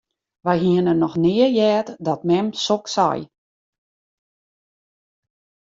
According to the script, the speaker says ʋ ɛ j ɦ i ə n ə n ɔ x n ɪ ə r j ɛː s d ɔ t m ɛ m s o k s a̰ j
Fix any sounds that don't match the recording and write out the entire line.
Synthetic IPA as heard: ʋ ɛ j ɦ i ə n ə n ɔ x n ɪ ə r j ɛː t d ɔ t m ɛ m s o k s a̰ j